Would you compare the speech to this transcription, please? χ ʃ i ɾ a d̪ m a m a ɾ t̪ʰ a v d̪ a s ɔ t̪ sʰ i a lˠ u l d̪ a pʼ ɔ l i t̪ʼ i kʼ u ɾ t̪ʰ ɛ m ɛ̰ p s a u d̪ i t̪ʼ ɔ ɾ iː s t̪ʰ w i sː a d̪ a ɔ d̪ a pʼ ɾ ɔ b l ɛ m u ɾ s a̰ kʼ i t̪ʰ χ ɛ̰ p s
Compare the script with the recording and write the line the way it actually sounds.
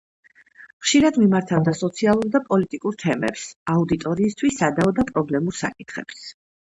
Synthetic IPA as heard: χ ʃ i ɾ a d̪ m i m a ɾ t̪ʰ a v d̪ a s ɔ t̪ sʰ i a lˠ u ɾ d̪ a pʼ ɔ l i t̪ʼ i kʼ u ɾ t̪ʰ ɛ m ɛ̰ p s a u d̪ i t̪ʼ ɔ ɾ iː s t̪ʰ w i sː a d̪ a ɔ d̪ a pʼ ɾ ɔ b l ɛ m u ɾ s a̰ kʼ i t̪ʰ χ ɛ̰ p s

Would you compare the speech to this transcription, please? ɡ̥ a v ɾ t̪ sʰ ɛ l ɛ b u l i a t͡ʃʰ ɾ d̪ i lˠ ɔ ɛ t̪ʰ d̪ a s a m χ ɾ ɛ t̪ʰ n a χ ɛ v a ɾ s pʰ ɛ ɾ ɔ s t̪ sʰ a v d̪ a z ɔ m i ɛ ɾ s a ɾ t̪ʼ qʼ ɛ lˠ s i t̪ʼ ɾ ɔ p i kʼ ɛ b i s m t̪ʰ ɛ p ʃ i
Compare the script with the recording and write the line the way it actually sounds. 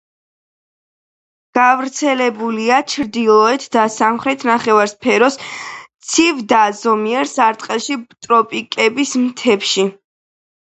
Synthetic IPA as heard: ɡ̥ a v ɾ t̪ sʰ ɛ l ɛ b u l i a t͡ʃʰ ɾ d̪ i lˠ ɔ ɛ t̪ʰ d̪ a s a m χ ɾ ɛ t̪ʰ n a χ ɛ v a ɾ s pʰ ɛ ɾ ɔ s t̪ sʰ i v d̪ a z ɔ m i ɛ ɾ s a ɾ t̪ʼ qʼ ɛ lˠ ʃ i t̪ʼ ɾ ɔ pʼ i kʼ ɛ b i s m t̪ʰ ɛ p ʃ i

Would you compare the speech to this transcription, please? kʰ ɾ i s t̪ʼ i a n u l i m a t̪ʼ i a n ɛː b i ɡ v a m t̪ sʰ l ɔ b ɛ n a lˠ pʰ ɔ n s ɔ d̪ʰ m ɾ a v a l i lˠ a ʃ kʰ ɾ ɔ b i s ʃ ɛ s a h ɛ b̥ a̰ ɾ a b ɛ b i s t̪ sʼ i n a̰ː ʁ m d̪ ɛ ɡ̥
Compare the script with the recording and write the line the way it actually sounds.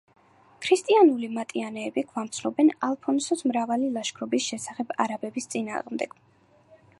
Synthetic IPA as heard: kʰ ɾ i s t̪ʼ i a n u l i m a t̪ʼ i a n ɛː b i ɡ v a m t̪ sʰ l ɔ b ɛ n a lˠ pʰ ɔ n s ɔ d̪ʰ m ɾ a v a l i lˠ a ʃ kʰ ɾ ɔ b i s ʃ ɛ s a χ ɛ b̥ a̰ ɾ a b ɛ b i s t̪ sʼ i n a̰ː ʁ m d̪ ɛ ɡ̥

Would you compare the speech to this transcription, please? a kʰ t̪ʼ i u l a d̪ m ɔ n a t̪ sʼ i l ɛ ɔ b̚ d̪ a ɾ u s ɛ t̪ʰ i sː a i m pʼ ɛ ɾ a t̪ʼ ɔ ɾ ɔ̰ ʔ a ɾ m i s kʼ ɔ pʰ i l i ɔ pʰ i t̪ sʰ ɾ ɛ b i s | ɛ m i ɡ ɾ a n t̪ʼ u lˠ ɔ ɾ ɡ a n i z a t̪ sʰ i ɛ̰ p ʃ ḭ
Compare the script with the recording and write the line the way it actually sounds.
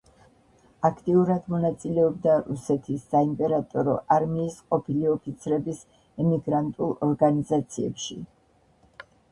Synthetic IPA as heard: a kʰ t̪ʼ i u ɾ a d̪ m ɔ n a t̪ sʼ i l ɛ ɔ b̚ d̪ a ɾ u s ɛ t̪ʰ i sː a i m pʼ ɛ ɾ a t̪ʼ ɔ ɾ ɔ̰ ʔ a ɾ m iː s qʼ ɔ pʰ i l i ɔ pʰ i t̪ sʰ ɾ ɛ b i s | ɛ m i ɡ ɾ a n t̪ʼ u lˠ ɔ ɾ ɡ a n i z a t̪ sʰ i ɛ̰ p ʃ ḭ

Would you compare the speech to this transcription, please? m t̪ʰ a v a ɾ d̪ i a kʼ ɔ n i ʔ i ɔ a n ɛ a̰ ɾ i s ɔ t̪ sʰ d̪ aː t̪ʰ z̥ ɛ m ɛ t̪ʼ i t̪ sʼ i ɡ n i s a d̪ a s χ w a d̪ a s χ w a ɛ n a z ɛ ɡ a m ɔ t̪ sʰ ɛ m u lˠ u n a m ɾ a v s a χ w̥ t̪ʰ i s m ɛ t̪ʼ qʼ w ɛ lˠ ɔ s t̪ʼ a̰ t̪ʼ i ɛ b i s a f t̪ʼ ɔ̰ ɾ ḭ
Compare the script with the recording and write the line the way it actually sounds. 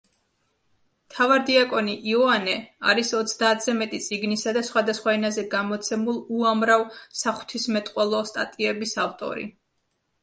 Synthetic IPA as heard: m t̪ʰ a v a ɾ d̪ i a kʼ ɔ n i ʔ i ɔ a n ɛ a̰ ɾ i s ɔ t̪ sʰ d̪ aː t̪ʰ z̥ ɛ m ɛ t̪ʼ i t̪ sʼ i ɡ n i s a d̪ a s χ w a d̪ a s χ w a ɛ n a z ɛ ɡ a m ɔ t̪ sʰ ɛ m u lˠ u a m ɾ a v s a χ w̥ t̪ʰ i s m ɛ t̪ʼ qʼ w ɛ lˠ ɔ s t̪ʼ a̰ t̪ʼ i ɛ b i s a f t̪ʼ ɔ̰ ɾ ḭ

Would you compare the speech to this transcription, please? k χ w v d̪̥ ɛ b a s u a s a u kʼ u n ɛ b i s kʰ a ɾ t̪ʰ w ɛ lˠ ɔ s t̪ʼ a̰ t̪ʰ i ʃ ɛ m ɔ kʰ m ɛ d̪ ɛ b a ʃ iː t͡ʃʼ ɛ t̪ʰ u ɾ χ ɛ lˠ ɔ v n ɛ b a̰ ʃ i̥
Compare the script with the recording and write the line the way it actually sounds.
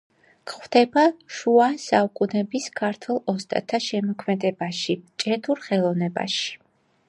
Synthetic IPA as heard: k χ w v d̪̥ ɛ b a ʃ u a s a u kʼ u n ɛ b i s kʰ a ɾ t̪ʰ w ɛ lˠ ɔ s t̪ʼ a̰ t̪ʰ a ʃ ɛ m ɔ kʰ m ɛ d̪ ɛ b a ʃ i t͡ʃʼ ɛ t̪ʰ u ɾ χ ɛ lˠ ɔ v n ɛ b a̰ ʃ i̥

